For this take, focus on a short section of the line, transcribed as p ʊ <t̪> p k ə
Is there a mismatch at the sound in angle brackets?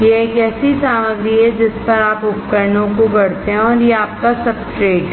yes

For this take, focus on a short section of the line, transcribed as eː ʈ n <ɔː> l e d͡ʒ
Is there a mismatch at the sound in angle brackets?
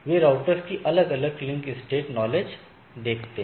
no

